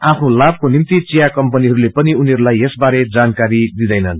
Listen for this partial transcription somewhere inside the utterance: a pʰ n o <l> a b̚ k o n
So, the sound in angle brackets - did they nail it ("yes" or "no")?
yes